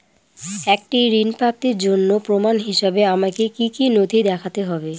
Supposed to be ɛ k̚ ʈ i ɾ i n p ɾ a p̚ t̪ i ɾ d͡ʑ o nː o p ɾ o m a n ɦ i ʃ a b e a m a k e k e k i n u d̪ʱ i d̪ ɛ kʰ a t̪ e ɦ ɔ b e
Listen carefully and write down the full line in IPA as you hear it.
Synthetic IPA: ɛ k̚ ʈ i ɾ i n p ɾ a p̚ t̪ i ɾ d͡ʑ o nː o p ɾ o m a n ɦ i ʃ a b e a m a k e k i k i n o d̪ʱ i d̪ ɛ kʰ a t̪ e ɦ ɔ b e